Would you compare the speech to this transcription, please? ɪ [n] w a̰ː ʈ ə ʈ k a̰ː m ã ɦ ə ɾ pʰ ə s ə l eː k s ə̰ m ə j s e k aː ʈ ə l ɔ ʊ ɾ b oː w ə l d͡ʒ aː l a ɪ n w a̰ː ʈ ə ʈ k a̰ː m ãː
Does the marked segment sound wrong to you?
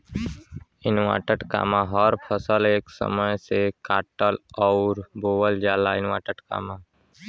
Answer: no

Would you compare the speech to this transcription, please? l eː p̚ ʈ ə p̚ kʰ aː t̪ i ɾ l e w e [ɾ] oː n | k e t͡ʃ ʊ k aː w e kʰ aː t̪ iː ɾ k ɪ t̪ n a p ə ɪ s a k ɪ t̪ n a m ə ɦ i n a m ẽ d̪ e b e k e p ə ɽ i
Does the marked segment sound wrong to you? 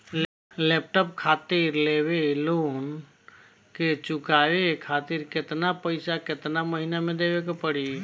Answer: yes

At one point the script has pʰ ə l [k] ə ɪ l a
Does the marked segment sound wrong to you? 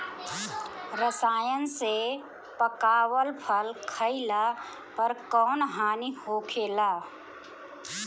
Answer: yes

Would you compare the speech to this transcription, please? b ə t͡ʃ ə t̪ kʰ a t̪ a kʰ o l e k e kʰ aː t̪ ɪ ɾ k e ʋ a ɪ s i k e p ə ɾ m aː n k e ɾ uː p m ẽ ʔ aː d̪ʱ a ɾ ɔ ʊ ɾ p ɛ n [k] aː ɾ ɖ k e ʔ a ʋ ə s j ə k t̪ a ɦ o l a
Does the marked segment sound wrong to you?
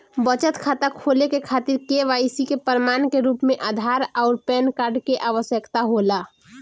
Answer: no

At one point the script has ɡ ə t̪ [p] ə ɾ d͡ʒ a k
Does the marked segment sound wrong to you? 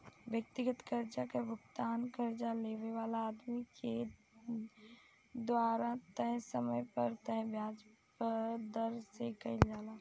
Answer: yes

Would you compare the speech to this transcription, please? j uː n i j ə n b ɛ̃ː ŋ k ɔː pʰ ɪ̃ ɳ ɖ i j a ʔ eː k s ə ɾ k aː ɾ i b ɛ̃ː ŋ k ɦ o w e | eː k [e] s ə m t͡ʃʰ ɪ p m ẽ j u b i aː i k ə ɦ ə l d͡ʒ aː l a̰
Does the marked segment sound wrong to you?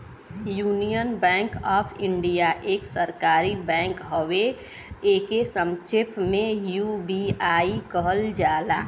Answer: no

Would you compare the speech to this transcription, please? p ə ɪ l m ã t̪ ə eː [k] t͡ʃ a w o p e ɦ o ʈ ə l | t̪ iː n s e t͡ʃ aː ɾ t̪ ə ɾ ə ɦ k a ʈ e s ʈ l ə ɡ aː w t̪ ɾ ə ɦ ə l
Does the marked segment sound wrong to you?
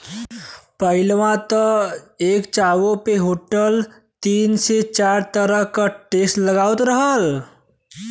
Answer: no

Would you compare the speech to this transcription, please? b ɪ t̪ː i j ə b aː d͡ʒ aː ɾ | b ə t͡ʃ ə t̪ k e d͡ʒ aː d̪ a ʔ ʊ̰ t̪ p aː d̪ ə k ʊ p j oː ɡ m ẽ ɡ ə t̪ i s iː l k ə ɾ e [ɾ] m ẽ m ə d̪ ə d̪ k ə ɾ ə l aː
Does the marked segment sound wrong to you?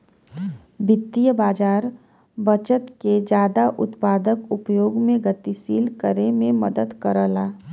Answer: yes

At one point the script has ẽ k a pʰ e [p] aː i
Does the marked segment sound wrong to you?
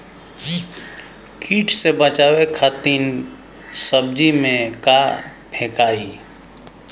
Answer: yes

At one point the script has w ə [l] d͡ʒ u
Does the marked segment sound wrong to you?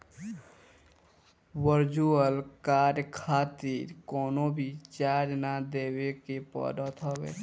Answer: yes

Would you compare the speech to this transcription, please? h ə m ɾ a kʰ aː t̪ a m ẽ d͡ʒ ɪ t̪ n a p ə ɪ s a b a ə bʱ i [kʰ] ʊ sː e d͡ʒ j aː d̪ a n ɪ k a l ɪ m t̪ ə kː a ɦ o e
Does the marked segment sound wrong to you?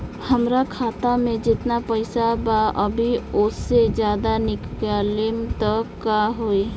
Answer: yes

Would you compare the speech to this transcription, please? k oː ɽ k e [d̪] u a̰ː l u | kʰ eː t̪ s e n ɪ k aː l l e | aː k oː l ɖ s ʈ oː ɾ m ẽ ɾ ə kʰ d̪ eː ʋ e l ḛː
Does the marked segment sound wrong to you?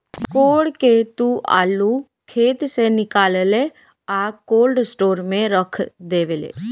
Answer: yes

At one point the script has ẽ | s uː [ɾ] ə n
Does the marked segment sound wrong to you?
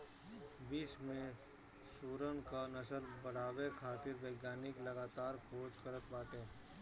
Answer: no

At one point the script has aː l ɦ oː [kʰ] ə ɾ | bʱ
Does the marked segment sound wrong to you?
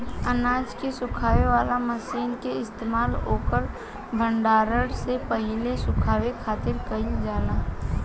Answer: yes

